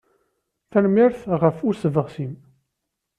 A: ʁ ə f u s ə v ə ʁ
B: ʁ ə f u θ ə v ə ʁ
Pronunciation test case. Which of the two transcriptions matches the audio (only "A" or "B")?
A